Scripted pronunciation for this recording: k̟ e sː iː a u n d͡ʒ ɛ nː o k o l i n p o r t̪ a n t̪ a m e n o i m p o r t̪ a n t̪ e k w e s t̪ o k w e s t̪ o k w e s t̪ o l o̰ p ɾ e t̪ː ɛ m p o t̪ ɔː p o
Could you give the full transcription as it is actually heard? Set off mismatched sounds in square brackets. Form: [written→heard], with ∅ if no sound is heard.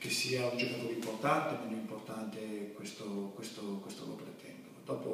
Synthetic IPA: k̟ e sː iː a u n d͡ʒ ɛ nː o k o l i [n→m] p o r t̪ a n t̪ [a→e] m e n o i m p o r t̪ a n t̪ e k w e s t̪ o k w e s t̪ o k w e s t̪ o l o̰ p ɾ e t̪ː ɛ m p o [t̪→d̪] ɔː p o

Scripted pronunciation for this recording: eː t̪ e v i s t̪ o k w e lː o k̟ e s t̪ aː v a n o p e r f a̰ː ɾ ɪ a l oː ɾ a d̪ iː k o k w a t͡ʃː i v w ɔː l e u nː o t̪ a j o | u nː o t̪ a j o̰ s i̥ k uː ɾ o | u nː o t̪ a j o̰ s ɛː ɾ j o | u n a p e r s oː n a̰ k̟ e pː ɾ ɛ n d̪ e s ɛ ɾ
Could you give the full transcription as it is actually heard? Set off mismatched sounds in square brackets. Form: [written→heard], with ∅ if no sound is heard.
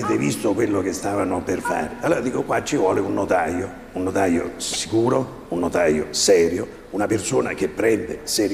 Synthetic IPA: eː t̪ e v i s t̪ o k w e lː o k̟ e s t̪ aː v a n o p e r f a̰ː ɾ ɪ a l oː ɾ a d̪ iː k o k w a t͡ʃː i v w ɔː l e u nː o t̪ a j o | u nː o t̪ a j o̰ s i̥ k uː ɾ o | u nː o t̪ a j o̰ s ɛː ɾ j o | u n a p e r s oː n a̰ k̟ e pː ɾ ɛ n d̪ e s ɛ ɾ

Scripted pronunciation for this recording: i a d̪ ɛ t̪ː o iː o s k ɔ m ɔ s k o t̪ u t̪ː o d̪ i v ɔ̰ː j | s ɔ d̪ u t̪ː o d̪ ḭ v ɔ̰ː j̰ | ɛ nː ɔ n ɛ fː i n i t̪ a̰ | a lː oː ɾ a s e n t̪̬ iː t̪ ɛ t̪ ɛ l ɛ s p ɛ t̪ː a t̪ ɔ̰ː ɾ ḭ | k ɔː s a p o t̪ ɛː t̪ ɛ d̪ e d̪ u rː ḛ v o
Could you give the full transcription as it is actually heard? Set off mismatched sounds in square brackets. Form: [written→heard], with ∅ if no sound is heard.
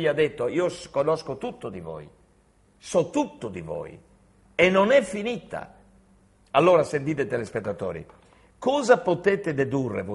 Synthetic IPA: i a d̪ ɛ t̪ː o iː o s k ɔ [m→n] ɔ s k o t̪ u t̪ː o d̪ i v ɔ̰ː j | s ɔ [d̪→t̪] u t̪ː o d̪ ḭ v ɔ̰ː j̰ | ɛ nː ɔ n ɛ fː i n i t̪ a̰ | a lː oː ɾ a s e n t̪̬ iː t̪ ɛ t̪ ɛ l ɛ s p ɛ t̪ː a t̪ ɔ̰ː ɾ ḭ | k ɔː [s→z] a p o t̪ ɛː t̪ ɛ d̪ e d̪ u rː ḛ v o

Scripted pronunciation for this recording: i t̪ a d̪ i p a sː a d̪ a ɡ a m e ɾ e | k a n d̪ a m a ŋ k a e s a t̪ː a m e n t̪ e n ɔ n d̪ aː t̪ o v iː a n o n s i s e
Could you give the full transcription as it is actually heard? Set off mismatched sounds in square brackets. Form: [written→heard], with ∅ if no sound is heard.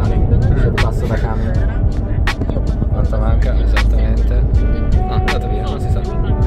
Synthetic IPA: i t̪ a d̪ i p a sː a d̪ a [ɡ→k] a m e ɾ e | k a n [d̪→t̪] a m a ŋ k a e [s→z] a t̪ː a m e n t̪ e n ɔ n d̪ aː t̪ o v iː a n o n s i s [e→a]

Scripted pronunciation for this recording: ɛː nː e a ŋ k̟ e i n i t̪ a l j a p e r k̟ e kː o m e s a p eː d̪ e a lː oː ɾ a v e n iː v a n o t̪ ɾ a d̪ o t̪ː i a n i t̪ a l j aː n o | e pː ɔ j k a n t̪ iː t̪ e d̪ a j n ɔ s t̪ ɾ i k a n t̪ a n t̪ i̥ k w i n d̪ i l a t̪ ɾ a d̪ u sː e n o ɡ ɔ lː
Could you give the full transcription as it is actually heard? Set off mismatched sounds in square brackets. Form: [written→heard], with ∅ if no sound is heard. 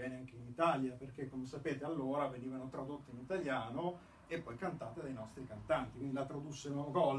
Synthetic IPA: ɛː [nː→n] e a ŋ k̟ e i n i t̪ a l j a p e r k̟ e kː o m e s a p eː [d̪→t̪] e a lː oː ɾ a v e n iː v a n o t̪ ɾ a d̪ o t̪ː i [a→i] n i t̪ a l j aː n o | e pː ɔ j k a n t̪ [iː→aː] t̪ e d̪ a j n ɔ s t̪ ɾ i k a n t̪ a n t̪ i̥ k w i n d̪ i l a t̪ ɾ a d̪ u sː e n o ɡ ɔ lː

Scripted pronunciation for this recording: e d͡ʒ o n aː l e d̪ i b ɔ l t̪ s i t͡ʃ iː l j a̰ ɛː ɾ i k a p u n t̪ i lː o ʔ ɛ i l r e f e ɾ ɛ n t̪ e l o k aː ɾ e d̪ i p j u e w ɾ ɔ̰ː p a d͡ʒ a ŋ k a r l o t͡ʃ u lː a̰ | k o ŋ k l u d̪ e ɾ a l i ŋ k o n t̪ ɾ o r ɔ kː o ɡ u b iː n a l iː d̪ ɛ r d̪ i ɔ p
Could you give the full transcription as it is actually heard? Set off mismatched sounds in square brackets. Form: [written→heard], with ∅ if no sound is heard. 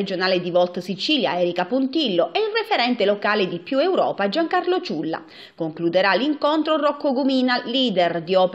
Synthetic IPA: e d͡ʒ o n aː l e d̪ i [b→v] ɔ l t̪ s i t͡ʃ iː l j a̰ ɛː ɾ i k a p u n t̪ i lː o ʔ ɛ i l r e f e ɾ ɛ n t̪ e l o k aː [ɾ→l] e d̪ i p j u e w ɾ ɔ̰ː p a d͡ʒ a ŋ k a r l o t͡ʃ u lː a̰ | k o ŋ k l u d̪ e ɾ a l i ŋ k o n t̪ ɾ o r ɔ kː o ɡ u [b→m] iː n a l iː d̪ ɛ r d̪ i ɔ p

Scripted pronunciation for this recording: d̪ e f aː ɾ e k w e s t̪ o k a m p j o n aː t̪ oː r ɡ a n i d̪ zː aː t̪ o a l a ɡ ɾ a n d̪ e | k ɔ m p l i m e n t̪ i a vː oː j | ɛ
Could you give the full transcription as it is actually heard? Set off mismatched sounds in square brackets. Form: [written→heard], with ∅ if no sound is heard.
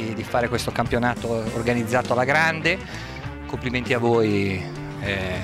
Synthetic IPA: d̪ [e→i] f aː ɾ e k w e s t̪ o k a m p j o n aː t̪ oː r ɡ a n i d̪ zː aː t̪ o a l a ɡ ɾ a n d̪ e | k [ɔ→o] m p l i m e n t̪ i a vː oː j | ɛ

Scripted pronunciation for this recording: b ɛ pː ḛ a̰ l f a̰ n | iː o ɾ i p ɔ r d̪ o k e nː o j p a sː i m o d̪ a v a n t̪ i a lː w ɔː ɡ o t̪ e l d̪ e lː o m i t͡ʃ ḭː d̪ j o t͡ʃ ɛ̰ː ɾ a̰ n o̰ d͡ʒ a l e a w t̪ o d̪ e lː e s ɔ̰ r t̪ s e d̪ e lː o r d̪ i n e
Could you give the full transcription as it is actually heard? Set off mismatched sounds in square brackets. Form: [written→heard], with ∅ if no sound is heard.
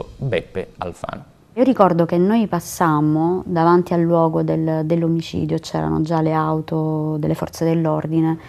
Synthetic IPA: b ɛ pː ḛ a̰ l f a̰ n | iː o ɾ i [p→k] ɔ r d̪ o k e nː o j p a sː [i→a] m o d̪ a v a n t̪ i a lː w ɔː ɡ o [t̪→d̪] e l d̪ e lː o m i t͡ʃ ḭː d̪ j o t͡ʃ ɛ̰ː ɾ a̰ n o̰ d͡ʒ a l e a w t̪ o d̪ e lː e [s→f] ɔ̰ r t̪ s e d̪ e lː o r d̪ i n e

